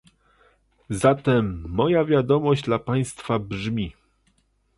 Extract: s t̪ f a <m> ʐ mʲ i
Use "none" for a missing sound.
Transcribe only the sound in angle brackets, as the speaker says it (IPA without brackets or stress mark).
b